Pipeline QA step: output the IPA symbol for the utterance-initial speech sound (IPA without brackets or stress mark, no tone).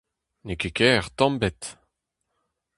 n